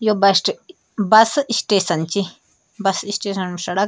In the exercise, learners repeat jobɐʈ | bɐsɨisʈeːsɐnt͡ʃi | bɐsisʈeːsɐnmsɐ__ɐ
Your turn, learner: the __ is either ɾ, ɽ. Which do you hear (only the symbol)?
ɽ